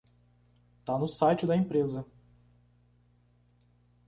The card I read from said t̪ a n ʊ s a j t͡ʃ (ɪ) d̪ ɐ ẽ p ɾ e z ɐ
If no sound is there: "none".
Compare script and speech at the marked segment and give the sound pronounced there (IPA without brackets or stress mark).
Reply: ɪ